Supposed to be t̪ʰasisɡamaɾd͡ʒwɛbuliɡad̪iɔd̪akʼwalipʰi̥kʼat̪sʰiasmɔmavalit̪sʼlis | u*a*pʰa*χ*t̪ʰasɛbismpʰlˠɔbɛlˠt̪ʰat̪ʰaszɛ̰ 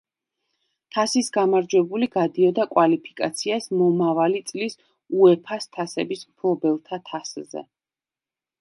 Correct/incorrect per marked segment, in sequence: incorrect, incorrect

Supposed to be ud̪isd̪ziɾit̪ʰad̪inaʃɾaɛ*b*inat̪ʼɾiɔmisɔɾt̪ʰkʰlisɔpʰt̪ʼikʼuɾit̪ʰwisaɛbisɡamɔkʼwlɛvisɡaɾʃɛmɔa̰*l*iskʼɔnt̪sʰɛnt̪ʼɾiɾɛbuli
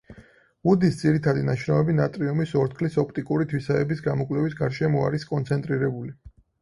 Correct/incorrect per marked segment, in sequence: correct, incorrect

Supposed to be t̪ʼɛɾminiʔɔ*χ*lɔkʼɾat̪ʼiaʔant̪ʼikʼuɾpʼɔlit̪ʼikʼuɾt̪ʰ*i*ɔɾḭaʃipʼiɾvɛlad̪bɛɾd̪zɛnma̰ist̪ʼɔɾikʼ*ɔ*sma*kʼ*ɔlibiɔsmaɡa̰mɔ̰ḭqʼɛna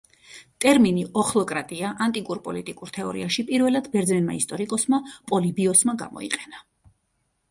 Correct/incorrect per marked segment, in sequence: correct, incorrect, correct, incorrect

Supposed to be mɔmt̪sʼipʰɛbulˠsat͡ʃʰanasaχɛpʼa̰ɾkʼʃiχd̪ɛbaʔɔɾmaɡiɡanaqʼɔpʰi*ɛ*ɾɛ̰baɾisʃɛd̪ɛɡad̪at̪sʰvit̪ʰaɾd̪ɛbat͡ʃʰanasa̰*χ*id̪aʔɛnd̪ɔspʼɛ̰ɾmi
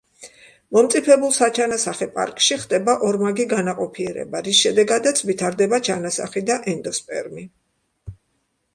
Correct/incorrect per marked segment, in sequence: correct, correct

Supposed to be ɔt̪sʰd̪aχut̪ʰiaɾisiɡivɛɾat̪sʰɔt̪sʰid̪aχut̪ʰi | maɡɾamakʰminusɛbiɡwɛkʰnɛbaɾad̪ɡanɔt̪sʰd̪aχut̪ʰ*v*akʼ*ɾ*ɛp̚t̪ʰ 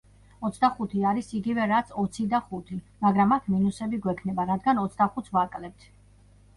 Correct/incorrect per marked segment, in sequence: correct, incorrect

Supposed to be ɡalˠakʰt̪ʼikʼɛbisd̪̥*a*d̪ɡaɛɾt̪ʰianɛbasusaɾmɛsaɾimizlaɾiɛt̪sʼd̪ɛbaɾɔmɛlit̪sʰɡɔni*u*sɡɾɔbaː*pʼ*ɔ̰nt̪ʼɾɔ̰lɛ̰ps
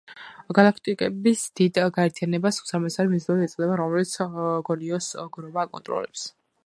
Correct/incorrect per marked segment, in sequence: incorrect, incorrect, incorrect

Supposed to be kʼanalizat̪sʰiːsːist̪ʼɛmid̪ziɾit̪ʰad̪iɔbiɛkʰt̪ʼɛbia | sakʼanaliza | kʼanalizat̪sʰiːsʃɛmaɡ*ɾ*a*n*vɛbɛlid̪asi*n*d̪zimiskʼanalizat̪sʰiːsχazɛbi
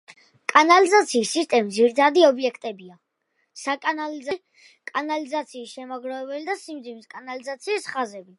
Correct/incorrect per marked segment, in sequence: correct, incorrect, incorrect

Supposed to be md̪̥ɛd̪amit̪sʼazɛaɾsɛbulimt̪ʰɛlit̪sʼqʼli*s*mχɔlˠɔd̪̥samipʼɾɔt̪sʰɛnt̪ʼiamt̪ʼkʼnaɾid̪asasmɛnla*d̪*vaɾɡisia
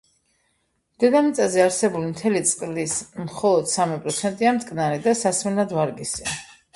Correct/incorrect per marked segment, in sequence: correct, correct

